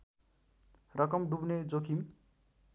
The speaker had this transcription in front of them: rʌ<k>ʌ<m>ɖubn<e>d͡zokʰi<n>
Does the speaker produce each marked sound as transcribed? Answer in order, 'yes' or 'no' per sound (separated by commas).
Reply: yes, yes, yes, no